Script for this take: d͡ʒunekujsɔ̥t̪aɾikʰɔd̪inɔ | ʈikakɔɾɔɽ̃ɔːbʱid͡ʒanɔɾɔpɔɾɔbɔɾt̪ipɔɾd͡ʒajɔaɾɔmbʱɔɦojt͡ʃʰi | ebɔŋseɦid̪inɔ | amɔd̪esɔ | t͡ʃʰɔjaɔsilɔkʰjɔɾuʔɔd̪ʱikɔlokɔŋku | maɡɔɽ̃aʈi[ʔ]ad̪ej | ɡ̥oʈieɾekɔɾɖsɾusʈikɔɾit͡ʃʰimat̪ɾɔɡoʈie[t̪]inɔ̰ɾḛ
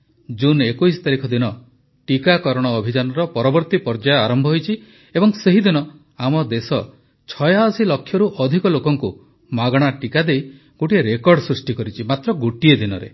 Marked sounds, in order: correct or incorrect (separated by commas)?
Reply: incorrect, incorrect